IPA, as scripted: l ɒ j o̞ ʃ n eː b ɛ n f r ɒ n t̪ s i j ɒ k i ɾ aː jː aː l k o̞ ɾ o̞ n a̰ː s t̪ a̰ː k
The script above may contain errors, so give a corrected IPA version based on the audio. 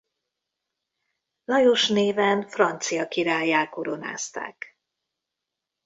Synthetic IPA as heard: l ɒ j o̞ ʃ n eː v ɛ n f r ɒ n t̪ s i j ɒ k i ɾ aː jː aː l k o̞ ɾ o̞ n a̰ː s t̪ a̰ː k